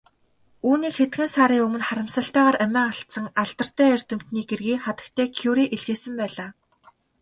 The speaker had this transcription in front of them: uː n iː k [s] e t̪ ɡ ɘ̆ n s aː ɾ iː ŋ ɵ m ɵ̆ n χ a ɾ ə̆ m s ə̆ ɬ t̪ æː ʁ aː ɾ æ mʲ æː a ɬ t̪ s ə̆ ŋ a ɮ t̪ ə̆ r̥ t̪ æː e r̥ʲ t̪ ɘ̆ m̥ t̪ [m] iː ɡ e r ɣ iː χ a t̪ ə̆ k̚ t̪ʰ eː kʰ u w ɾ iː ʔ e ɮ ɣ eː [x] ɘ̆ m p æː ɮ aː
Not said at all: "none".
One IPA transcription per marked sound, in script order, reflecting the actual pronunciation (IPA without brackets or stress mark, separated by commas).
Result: x, n, s